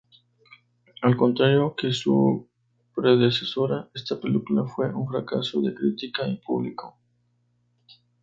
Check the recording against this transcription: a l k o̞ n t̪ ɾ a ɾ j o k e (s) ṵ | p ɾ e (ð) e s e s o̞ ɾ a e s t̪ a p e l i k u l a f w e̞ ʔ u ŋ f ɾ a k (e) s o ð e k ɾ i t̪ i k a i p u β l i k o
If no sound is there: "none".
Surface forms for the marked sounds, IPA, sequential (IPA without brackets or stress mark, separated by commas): s, ð, a